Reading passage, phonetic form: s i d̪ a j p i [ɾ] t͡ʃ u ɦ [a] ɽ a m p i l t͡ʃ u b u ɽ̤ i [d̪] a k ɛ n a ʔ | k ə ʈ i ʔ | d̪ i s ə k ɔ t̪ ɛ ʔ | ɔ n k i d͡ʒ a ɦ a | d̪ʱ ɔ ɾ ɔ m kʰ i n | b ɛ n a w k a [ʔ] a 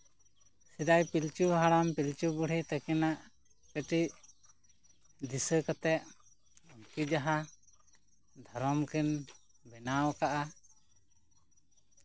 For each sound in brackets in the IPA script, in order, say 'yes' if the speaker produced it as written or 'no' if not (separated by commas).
no, yes, no, yes